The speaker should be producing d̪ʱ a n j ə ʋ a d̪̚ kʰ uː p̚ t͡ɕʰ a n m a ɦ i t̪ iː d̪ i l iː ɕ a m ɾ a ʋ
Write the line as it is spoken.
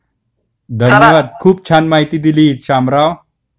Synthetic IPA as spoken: d̪ʱ ə n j ə ʋ a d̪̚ kʰ uː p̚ t͡ɕʰ a n m a ɦ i t̪ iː d̪ i l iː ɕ a m ɾ a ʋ

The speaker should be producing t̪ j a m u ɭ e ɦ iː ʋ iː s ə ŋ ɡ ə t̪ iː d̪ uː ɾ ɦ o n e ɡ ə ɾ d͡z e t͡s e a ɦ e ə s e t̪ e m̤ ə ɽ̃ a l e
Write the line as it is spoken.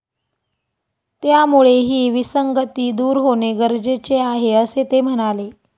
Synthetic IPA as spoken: t̪ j a m u ɭ e ɦ iː ʋ i s ə ŋ ɡ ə t̪ iː d̪ uː ɾ ɦ o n e ɡ ə ɾ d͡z e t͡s e a ɦ e ə s e t̪ e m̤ ə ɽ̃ a l e

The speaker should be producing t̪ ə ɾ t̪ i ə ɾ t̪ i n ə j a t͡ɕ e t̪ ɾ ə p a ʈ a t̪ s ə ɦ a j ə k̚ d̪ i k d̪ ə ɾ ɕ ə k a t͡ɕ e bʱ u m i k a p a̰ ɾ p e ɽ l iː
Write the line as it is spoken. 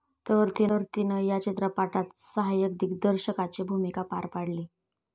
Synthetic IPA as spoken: t̪ ə ɾ t̪ i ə ɾ t̪ i n ə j a t͡ɕ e t̪ ɾ ə p a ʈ a t̪ s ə ɦ a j ə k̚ d̪ i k d̪ ə ɾ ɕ ə k a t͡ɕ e bʱ u m i k a p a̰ ɾ p a ɽ l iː

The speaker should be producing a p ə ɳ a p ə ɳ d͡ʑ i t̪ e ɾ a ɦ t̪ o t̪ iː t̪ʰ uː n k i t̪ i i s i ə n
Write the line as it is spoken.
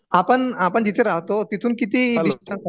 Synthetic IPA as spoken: a p ə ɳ a p ə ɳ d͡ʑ i t̪ʰ e ɾ a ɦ t̪ o t̪ i t̪ʰ uː n k i t̪ i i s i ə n

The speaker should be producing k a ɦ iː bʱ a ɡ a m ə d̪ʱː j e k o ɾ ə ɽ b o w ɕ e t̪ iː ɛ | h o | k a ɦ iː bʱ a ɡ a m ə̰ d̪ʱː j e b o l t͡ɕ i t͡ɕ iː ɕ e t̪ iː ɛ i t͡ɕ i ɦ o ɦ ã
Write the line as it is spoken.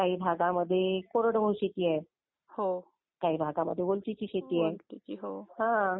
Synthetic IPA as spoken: k a ɦ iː bʱ a ɡ a m ə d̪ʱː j e k o ɾ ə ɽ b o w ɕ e t̪ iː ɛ | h o | k a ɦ iː bʱ a ɡ a m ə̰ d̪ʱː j e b o l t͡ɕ i t͡ɕ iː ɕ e t̪ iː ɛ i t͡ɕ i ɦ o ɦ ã

